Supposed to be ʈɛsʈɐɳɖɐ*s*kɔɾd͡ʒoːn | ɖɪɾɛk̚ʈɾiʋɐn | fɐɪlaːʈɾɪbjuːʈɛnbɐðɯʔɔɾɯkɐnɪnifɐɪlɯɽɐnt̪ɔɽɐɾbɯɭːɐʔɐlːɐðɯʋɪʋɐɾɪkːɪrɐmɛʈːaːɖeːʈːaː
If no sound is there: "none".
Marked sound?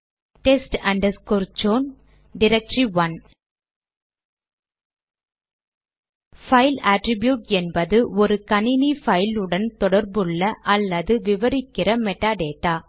s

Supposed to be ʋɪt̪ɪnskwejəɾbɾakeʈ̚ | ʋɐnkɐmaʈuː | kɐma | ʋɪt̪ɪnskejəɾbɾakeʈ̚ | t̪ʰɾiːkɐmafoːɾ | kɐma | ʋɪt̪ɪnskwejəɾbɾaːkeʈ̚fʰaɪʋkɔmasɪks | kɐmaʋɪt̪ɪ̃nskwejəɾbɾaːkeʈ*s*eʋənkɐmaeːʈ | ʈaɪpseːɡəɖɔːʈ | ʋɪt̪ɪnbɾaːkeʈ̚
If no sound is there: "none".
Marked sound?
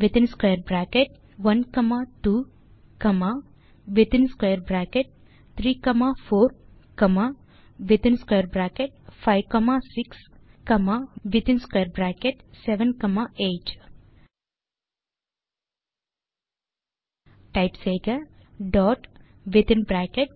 s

